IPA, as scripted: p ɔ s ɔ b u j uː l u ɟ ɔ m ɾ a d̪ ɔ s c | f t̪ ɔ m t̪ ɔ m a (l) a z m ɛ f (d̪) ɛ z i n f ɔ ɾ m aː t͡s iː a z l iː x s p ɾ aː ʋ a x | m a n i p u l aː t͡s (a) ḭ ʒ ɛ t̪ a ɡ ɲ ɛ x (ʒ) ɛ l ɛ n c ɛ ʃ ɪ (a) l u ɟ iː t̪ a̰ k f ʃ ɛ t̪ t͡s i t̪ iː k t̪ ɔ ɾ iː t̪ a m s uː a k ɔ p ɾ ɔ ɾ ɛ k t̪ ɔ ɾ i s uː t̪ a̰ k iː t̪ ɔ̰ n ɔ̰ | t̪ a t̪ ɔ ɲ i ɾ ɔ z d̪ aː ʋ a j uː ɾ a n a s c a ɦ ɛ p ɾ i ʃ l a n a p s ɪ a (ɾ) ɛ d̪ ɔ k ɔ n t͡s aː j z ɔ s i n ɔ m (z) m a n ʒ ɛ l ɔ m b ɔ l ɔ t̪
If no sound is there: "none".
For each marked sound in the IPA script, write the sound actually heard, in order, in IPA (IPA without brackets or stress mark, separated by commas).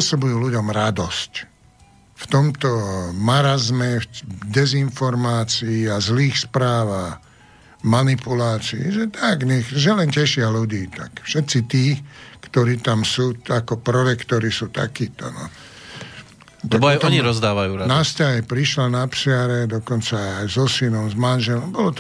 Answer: ɾ, d̪, i, ʒ, a, ɾ, z